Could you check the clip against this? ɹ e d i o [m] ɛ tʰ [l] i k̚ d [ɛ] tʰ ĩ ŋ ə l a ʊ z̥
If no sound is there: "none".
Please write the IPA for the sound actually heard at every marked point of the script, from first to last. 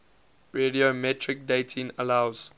m, ɹ, e

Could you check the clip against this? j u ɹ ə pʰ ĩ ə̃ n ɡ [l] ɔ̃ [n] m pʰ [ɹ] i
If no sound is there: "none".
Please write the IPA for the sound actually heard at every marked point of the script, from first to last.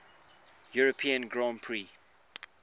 ɹ, none, ɹ

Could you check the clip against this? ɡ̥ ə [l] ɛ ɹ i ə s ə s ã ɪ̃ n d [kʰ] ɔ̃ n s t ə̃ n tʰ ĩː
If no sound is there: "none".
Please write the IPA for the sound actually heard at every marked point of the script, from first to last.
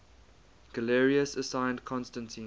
l, kʰ

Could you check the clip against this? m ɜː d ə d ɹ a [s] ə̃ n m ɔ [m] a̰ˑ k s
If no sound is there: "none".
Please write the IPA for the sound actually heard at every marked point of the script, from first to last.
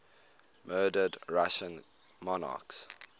ʃ, n

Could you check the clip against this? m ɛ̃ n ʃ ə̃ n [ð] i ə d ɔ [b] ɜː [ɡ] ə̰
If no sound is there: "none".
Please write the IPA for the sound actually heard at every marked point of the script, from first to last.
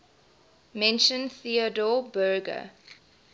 θ, b, ɡ

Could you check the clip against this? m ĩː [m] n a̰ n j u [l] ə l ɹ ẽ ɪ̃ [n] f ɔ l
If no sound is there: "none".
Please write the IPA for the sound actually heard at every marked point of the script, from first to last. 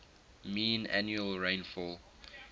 none, none, n

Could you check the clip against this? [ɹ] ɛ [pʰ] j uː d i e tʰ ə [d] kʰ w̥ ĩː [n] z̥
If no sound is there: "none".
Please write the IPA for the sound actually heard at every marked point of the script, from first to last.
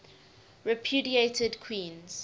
ɹ, pʰ, d, n

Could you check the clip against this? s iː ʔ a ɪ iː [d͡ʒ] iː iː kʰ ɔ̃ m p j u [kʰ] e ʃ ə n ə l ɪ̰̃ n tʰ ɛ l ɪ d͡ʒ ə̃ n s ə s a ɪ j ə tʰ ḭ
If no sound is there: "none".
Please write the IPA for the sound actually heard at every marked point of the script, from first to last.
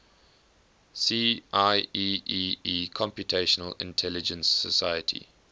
none, tʰ

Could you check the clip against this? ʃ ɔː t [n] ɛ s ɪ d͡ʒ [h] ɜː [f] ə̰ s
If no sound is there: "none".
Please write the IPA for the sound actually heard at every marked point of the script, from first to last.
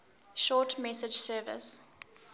m, s, v

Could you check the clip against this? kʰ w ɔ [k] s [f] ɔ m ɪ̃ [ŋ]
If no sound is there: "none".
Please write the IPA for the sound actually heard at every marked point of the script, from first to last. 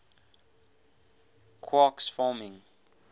k, f, ŋ

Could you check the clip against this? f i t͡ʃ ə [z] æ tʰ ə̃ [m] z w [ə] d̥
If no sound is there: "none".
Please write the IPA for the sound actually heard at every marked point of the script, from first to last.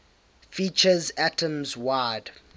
z, m, a

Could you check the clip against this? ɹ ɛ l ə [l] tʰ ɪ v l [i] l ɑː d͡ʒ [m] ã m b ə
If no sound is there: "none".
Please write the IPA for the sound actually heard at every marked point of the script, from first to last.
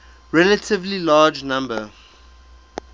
none, i, n

